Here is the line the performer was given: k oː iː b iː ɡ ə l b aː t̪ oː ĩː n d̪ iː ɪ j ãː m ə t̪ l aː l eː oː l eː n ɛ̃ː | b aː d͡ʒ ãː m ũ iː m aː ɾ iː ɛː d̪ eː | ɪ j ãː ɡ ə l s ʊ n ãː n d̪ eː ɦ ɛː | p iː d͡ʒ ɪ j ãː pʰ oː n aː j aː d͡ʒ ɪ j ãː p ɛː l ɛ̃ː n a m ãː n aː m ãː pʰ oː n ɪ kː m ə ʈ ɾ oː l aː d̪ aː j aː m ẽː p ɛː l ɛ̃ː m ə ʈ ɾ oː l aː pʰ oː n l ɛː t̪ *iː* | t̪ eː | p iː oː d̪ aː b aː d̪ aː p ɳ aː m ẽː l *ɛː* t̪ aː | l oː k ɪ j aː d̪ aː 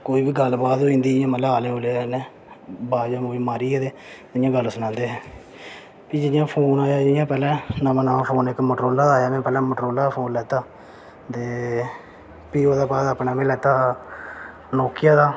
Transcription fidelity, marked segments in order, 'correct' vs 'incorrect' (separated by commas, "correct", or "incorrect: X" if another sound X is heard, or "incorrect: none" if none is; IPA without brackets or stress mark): incorrect: aː, correct